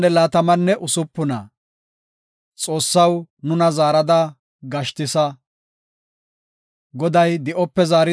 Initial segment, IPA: ɛ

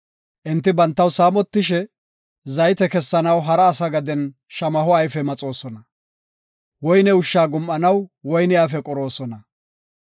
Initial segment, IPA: ʔ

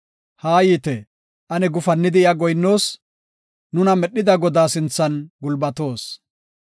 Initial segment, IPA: h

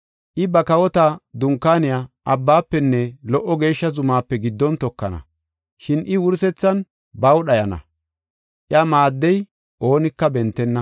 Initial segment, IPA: ʔ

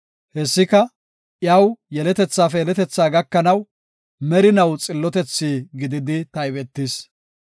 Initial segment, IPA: h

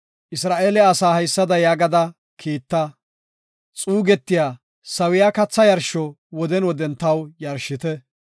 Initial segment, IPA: ʔ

